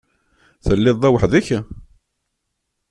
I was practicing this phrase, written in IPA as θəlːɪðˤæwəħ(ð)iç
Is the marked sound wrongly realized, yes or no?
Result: no